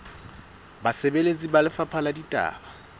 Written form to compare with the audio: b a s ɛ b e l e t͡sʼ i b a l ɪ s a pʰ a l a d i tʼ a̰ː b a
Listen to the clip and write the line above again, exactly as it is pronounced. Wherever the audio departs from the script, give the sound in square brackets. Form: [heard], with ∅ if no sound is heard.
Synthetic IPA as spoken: b a s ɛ b e l e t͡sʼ i b a l ɪ [f] a pʰ a l a d i tʼ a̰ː b a